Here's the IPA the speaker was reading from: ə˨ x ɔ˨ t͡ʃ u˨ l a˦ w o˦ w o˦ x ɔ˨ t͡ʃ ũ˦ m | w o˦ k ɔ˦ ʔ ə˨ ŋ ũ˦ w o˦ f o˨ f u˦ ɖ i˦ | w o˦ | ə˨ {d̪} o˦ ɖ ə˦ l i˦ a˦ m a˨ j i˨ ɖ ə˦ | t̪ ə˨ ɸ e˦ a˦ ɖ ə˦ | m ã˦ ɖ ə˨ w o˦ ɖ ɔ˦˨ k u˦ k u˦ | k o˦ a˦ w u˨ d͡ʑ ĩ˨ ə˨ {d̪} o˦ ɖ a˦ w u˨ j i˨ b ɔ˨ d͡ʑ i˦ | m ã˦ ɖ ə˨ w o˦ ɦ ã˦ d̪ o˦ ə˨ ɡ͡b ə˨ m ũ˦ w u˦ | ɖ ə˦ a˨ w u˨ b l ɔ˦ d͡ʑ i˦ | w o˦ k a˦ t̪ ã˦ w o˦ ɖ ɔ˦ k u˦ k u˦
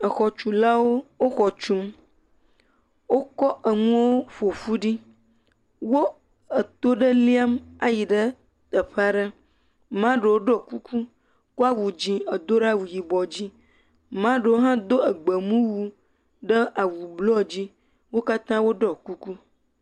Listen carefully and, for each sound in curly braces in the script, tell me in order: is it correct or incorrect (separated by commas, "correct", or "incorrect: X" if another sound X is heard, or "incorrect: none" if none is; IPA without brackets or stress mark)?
incorrect: t̪, correct